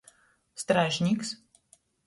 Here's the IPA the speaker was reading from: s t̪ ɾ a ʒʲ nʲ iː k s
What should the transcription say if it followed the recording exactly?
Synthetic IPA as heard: s t̪ ɾ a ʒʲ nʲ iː k s